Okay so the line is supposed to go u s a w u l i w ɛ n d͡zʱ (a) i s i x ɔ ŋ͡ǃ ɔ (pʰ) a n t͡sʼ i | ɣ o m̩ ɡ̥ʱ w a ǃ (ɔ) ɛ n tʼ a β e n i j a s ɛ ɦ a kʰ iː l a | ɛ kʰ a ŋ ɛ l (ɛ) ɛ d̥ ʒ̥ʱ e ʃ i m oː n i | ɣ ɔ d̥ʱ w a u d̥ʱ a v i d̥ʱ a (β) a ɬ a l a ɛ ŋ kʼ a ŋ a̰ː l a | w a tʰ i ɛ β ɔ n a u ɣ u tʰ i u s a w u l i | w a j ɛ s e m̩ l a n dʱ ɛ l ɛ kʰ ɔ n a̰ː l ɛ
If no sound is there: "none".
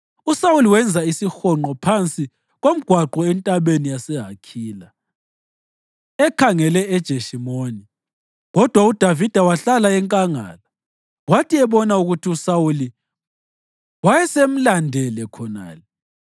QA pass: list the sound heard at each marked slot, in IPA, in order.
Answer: a, pʰ, ɔ, ɛ, w

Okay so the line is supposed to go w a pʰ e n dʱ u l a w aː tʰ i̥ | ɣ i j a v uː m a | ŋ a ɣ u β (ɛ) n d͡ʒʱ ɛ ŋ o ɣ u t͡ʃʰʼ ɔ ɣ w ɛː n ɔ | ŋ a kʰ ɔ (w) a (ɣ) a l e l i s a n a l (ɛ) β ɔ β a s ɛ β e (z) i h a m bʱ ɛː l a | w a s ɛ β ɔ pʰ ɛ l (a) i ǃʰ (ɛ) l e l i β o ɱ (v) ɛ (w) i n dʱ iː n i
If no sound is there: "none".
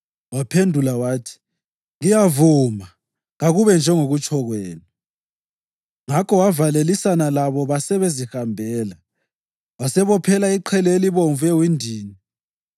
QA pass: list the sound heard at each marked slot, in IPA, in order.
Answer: ɛ, w, v, a, z, a, ɛ, v, w

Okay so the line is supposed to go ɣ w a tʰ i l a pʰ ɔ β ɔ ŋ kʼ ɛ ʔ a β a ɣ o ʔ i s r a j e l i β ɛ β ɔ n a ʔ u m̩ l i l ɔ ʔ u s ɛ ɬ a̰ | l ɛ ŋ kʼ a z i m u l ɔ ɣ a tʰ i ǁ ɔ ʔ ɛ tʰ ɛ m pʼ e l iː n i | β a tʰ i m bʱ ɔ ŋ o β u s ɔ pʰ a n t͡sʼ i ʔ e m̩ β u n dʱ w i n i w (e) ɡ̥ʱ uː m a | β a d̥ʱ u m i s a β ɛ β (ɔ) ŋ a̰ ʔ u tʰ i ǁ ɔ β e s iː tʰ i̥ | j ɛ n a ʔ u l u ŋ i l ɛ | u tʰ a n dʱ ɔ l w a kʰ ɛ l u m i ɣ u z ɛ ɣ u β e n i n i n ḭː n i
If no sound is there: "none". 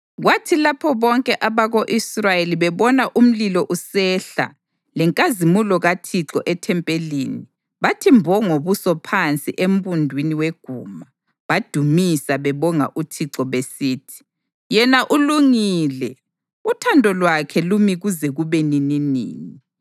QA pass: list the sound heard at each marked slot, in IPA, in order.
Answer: e, ɔ

